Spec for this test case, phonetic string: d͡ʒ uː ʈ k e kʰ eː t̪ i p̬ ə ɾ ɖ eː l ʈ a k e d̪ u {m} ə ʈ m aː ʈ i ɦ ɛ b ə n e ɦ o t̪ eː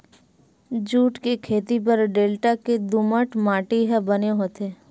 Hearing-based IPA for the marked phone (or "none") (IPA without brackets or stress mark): m